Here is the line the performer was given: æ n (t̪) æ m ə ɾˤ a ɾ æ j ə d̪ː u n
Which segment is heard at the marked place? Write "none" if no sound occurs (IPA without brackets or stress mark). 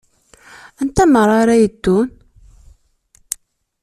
t̪